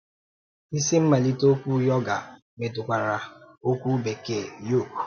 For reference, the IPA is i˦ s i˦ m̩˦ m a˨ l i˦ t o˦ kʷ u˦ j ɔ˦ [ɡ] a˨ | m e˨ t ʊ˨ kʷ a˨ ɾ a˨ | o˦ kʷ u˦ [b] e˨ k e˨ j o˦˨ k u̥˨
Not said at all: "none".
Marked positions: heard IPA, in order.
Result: ɡ, b

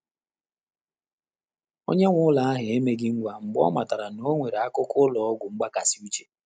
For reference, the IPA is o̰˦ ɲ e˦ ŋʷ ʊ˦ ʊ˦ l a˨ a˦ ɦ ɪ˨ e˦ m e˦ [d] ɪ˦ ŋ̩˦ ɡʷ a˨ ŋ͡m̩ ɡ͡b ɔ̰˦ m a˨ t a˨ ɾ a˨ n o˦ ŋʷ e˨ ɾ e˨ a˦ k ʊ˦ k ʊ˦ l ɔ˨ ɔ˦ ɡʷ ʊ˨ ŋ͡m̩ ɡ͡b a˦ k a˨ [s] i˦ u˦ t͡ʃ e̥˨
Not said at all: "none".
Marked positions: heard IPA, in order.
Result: ɡ, s

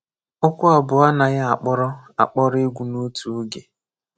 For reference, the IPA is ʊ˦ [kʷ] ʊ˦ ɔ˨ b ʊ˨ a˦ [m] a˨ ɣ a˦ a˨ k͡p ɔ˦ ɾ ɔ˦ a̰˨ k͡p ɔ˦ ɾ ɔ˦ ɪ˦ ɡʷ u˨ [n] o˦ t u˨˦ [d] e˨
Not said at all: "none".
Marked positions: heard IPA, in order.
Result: kʷ, n, n, ɡ

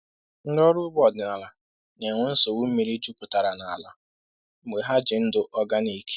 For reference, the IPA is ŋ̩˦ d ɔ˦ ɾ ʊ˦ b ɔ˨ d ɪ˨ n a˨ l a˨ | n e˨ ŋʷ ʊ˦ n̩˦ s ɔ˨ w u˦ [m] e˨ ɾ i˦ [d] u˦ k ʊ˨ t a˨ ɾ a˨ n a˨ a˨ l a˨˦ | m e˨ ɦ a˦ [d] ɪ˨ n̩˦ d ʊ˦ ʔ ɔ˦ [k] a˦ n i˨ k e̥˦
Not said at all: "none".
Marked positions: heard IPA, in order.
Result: m, d͡ʒ, d͡ʒ, ɡ

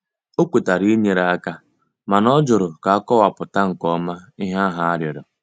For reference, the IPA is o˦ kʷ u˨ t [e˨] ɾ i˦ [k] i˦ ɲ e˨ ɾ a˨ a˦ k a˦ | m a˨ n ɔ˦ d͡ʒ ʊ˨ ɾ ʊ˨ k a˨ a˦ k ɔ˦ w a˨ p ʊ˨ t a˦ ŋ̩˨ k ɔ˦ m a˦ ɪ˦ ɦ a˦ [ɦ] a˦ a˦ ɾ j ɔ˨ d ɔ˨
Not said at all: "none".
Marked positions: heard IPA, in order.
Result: a˨, none, ɦ

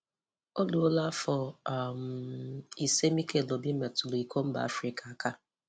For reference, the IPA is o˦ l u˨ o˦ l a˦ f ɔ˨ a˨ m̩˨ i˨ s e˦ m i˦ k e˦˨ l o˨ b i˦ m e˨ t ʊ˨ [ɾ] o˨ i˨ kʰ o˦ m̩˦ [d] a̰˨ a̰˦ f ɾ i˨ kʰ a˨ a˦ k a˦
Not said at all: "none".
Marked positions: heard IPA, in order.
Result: l, b

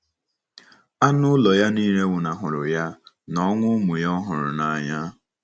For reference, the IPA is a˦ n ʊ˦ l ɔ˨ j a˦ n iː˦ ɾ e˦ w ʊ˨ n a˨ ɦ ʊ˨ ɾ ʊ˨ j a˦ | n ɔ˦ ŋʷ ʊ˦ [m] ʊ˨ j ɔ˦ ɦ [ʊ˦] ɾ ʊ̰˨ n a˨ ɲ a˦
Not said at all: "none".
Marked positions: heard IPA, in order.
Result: m, ʊ˨

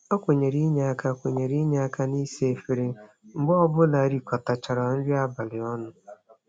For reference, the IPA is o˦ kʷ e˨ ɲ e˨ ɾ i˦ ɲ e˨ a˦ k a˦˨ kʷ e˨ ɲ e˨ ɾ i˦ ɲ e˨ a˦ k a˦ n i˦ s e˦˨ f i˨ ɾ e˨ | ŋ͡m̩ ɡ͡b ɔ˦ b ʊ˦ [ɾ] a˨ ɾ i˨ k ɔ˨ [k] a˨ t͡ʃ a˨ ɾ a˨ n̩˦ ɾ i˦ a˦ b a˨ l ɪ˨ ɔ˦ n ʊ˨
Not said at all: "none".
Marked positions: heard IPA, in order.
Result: l, t

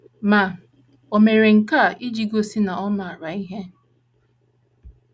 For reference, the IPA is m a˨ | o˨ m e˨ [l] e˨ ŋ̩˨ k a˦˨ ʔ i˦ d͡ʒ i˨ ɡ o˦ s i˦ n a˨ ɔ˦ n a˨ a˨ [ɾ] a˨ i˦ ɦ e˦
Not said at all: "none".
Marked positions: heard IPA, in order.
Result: ɾ, ɾ

